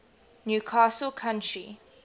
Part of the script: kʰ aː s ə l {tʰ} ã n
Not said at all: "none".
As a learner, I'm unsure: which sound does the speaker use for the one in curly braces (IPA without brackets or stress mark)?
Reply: kʰ